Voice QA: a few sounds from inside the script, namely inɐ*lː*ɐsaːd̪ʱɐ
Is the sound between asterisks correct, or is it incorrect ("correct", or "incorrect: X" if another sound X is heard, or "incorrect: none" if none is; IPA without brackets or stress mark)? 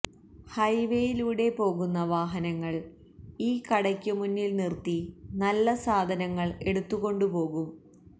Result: correct